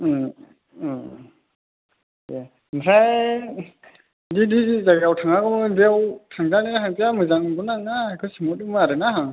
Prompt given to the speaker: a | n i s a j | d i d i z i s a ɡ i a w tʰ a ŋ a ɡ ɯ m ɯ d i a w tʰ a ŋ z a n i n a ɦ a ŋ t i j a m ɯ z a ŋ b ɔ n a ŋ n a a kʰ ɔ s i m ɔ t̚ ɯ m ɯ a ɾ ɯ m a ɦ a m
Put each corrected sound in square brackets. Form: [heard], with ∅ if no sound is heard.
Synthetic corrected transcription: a | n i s a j | d i d i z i [z] a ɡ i a w tʰ a ŋ a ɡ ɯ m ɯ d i a w tʰ a ŋ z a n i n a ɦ a ŋ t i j a m ɯ z a ŋ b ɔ n a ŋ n a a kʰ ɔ s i m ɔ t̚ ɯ m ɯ a ɾ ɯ [n] a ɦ a [ŋ]